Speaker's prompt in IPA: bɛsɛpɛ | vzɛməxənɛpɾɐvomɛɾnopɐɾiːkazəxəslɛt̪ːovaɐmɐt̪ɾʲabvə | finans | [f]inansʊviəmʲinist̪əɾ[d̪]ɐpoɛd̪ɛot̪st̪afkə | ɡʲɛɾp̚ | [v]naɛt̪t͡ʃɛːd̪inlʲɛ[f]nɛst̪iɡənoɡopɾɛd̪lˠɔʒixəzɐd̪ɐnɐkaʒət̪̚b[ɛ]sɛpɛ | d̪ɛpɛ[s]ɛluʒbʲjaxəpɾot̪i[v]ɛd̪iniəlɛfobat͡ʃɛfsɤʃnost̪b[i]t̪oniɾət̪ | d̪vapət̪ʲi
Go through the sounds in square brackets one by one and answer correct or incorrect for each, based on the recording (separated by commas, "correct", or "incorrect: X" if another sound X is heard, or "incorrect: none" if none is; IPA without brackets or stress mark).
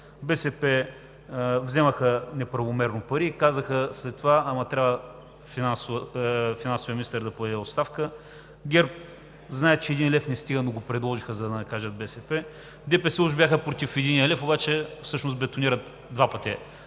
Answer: correct, correct, incorrect: z, correct, correct, correct, incorrect: f, incorrect: ɛ